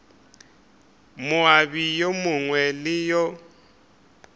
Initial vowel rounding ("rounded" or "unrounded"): rounded